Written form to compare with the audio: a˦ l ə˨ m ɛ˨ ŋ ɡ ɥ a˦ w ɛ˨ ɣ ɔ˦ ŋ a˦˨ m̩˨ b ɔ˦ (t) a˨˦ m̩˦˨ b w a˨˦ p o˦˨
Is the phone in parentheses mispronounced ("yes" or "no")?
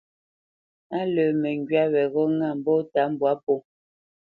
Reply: no